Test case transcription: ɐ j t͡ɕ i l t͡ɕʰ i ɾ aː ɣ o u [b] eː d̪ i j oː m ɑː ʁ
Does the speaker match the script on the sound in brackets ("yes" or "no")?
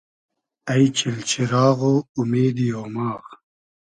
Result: no